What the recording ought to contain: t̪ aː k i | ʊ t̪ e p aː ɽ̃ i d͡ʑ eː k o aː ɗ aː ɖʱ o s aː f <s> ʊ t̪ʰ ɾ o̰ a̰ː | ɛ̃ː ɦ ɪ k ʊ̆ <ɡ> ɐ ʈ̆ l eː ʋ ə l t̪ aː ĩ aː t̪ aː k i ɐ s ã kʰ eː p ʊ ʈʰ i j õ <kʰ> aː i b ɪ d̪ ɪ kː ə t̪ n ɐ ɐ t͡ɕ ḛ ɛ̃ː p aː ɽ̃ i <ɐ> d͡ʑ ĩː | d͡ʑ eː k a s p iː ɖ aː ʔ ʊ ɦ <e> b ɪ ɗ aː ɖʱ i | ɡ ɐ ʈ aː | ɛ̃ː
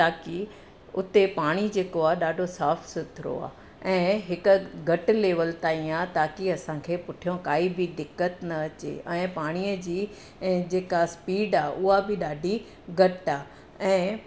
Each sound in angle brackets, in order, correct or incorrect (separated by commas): correct, correct, incorrect, incorrect, incorrect